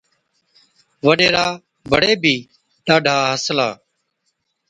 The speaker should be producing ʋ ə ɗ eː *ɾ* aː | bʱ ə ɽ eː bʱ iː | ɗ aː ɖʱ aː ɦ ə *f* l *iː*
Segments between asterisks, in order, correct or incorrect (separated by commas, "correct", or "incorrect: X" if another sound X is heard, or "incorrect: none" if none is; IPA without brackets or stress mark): correct, incorrect: s, incorrect: aː